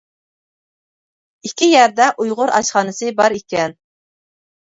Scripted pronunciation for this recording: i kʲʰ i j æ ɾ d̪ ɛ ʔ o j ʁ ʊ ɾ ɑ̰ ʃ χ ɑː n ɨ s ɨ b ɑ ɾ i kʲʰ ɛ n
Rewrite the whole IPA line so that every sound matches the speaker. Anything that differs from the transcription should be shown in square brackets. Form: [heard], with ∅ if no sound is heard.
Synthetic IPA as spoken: i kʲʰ i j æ ɾ d̪ ɛ ʔ [u] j ʁ ʊ ɾ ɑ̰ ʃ χ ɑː n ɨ s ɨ b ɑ ɾ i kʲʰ ɛ n

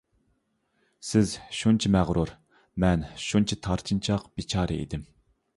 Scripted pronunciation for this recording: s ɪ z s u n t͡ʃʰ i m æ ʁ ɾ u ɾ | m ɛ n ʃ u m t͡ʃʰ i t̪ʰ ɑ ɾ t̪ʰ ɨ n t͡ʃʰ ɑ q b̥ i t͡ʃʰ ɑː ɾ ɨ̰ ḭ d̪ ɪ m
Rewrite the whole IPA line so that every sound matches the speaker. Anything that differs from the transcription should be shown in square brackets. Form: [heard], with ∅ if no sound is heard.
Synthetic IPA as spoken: s ɪ z [ʃ] u n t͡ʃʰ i m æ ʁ ɾ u ɾ | m ɛ n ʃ u [n] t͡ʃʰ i t̪ʰ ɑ ɾ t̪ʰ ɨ n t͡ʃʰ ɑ q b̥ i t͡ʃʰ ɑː ɾ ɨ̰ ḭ d̪ ɪ m

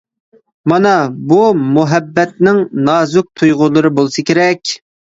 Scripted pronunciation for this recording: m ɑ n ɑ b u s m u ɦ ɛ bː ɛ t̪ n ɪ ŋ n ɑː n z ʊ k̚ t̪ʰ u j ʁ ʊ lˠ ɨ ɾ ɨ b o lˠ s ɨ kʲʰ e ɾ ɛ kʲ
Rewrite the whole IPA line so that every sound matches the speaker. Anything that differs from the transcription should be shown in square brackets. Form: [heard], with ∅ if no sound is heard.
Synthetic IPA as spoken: m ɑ n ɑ b u [∅] m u ɦ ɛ bː ɛ t̪ n ɪ ŋ n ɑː [∅] z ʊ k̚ t̪ʰ u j ʁ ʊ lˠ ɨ ɾ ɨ b o lˠ s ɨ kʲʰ e ɾ ɛ kʲ

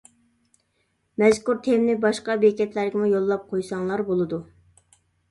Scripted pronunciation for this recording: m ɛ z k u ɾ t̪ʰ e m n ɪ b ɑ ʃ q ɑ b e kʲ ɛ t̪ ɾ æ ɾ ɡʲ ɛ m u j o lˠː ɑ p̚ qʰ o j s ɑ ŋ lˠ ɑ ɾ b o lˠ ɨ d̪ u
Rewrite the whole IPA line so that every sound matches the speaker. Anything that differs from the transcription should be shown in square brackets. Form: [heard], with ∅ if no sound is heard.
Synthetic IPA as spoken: m ɛ z k u ɾ t̪ʰ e m n ɪ b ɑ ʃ q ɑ b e kʲ ɛ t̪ [l] æ ɾ ɡʲ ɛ m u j o lˠː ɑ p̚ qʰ o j s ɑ ŋ lˠ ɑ ɾ b o lˠ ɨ d̪ u

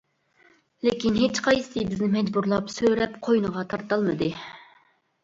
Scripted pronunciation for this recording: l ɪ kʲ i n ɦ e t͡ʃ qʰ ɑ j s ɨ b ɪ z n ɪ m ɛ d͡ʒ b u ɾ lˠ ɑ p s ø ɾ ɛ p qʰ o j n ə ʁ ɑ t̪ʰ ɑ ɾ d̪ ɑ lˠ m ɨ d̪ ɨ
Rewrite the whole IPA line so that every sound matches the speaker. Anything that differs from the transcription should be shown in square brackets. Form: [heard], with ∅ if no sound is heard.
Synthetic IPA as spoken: l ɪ kʲ i n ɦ e t͡ʃ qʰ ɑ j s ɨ b ɪ z n ɪ m ɛ d͡ʒ b u ɾ lˠ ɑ p s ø ɾ ɛ p qʰ o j n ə ʁ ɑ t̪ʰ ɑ ɾ [t̪] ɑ lˠ m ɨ d̪ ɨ

